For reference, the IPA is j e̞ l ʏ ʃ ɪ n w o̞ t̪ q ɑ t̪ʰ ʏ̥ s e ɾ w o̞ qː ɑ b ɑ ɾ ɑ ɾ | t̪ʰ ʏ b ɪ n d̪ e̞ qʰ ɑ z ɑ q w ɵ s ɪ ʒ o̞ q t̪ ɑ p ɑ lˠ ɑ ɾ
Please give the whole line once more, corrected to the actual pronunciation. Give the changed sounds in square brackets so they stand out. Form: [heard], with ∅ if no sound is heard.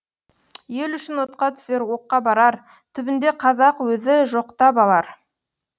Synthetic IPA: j e̞ l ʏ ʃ ɪ n w o̞ t̪ q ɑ t̪ʰ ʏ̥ s e ɾ w o̞ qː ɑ b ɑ ɾ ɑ ɾ | t̪ʰ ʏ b ɪ n d̪ e̞ qʰ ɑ z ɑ q w ɵ [z] ɪ ʒ o̞ q t̪ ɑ p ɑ lˠ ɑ ɾ